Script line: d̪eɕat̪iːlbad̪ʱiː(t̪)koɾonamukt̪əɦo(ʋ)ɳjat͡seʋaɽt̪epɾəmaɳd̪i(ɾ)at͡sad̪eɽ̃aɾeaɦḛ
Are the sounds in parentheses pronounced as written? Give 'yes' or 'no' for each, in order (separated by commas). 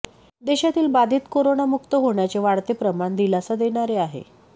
yes, no, no